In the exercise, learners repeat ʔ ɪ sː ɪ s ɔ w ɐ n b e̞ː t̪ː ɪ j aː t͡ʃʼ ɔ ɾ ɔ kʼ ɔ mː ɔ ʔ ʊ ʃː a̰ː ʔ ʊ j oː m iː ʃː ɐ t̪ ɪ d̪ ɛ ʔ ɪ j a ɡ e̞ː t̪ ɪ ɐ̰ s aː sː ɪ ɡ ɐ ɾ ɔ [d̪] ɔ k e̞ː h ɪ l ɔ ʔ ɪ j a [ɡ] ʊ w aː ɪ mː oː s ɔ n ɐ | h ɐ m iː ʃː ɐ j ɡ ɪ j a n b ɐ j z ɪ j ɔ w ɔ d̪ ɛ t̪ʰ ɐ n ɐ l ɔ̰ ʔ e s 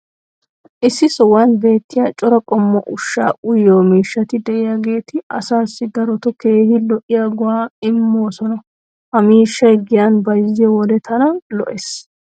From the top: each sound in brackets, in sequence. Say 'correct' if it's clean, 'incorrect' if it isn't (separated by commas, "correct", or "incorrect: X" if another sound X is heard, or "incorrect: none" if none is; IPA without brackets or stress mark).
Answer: incorrect: t̪, correct